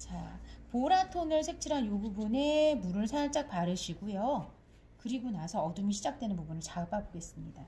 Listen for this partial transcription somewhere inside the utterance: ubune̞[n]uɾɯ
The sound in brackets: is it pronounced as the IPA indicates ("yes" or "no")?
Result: no